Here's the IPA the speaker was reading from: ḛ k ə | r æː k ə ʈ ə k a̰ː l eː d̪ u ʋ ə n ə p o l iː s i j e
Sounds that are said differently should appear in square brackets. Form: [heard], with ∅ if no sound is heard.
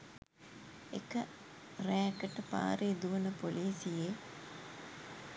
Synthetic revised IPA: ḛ k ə | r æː k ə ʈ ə [p] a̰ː [ɾ] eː d̪ u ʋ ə n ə p o l iː s i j e